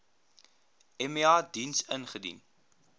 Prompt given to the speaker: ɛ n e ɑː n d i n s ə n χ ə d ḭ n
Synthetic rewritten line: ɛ m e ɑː d i n s ə n χ ə d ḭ n